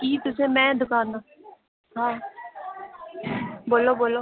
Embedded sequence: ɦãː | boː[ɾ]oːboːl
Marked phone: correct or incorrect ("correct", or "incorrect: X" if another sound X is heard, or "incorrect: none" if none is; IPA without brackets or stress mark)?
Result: incorrect: l